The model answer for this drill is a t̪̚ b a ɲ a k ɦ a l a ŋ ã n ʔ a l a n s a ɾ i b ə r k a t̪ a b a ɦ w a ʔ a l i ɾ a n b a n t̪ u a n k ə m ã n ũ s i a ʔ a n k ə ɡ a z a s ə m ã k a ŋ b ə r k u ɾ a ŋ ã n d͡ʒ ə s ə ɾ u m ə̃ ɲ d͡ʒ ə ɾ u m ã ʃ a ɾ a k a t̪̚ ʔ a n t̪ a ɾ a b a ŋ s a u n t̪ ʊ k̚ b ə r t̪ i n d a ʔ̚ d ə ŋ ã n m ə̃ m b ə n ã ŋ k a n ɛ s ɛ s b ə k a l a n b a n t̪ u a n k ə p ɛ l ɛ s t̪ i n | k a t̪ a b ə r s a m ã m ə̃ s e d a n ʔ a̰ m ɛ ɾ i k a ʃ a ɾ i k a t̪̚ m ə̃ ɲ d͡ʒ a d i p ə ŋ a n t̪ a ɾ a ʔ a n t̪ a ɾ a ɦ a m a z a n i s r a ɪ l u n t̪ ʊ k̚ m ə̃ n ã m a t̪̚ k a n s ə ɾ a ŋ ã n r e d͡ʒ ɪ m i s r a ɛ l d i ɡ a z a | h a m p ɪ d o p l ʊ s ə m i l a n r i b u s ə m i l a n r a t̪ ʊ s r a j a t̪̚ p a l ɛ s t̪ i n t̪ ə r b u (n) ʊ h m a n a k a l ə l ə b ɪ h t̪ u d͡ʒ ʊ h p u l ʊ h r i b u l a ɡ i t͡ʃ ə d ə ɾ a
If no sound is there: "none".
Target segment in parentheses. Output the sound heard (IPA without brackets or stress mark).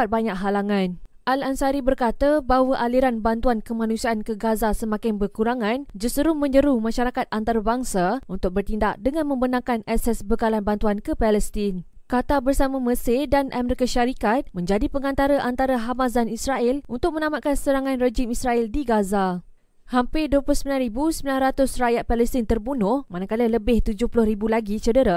n